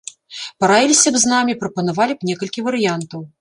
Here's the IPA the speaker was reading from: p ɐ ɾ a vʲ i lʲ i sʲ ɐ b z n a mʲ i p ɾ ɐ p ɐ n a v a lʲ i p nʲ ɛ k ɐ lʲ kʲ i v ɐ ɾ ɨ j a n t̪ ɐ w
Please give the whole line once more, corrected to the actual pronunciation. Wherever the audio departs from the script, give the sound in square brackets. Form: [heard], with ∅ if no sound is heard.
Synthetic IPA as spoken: p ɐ ɾ a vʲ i lʲ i sʲ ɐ b z n a mʲ i p ɾ ɐ p ɐ n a v a lʲ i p nʲ ɛ k ɐ lʲ kʲ i v ɐ ɾ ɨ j a n t̪ ɐ w